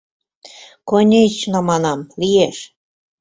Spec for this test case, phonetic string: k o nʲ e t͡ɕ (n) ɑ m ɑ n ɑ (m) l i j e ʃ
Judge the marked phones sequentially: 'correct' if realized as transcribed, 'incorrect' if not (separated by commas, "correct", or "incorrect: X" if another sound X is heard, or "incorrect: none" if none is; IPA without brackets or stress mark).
correct, correct